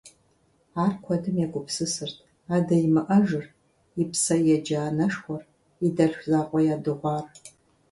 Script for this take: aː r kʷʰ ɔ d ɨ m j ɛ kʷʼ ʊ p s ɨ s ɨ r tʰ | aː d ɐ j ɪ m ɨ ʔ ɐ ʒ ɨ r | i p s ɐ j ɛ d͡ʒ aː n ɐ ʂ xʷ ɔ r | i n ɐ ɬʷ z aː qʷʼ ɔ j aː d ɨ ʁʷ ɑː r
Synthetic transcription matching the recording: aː r kʷʰ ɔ d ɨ m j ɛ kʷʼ ʊ p s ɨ s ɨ r tʰ | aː d ɐ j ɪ m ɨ ʔ ɐ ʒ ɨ r | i p s ɐ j ɛ d͡ʒ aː n ɐ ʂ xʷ ɔ r | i d ɐ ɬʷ z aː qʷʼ ɔ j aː d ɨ ʁʷ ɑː r